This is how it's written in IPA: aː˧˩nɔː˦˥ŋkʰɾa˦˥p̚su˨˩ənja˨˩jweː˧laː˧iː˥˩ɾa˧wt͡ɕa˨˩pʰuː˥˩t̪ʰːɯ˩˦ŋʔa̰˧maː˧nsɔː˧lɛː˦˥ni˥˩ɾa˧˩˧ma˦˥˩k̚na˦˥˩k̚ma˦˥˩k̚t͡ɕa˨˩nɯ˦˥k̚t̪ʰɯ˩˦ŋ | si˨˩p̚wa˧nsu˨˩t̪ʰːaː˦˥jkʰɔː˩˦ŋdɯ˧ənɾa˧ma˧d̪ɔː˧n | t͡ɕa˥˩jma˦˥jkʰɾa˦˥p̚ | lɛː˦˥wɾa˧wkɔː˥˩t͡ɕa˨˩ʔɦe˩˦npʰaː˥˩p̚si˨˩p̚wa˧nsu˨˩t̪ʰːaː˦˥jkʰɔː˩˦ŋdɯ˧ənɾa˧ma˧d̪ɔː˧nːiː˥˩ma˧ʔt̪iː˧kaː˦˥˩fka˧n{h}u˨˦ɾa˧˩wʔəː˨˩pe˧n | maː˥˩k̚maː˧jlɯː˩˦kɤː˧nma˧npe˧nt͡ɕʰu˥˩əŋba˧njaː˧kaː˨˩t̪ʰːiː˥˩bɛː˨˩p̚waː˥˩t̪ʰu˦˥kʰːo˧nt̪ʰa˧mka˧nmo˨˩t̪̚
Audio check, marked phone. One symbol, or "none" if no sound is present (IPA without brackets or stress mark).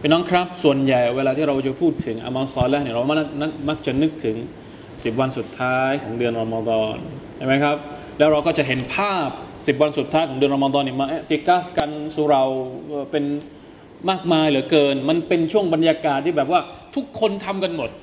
s